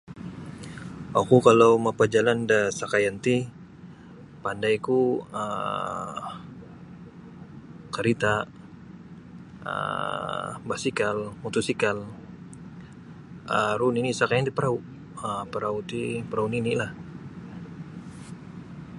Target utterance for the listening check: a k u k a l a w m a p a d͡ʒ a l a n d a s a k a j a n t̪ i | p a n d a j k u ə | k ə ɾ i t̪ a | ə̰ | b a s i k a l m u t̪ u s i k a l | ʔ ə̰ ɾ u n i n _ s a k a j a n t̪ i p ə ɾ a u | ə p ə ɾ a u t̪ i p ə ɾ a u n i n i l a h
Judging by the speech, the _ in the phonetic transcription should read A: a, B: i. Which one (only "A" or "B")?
B